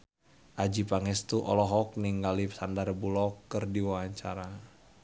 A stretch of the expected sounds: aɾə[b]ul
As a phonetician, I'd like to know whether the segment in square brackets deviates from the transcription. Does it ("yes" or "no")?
no